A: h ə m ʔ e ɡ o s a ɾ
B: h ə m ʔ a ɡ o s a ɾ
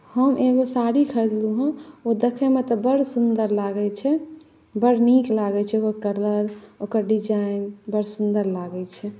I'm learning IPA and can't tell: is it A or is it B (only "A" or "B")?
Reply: A